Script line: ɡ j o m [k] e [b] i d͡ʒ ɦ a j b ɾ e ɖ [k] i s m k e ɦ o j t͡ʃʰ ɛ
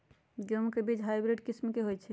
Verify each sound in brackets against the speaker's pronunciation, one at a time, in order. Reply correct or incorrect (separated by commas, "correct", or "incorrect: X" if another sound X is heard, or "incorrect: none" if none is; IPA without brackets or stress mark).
correct, correct, correct